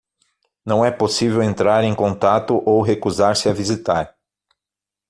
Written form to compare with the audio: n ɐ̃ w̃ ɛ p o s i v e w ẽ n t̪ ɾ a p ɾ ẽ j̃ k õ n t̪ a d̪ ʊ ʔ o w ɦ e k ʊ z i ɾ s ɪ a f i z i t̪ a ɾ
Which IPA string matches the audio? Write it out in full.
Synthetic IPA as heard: n ɐ̃ w̃ ɛ p o s i v e w ẽ n t̪ ɾ a ɾ ẽ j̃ k õ n t̪ a t̪ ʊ ʔ o w ɦ e k u z a ɾ s ɪ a v i z i t̪ a ɾ